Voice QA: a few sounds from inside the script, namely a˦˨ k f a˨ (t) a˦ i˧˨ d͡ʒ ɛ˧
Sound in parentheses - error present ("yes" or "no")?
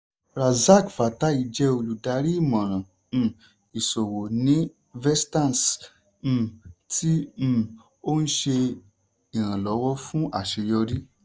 no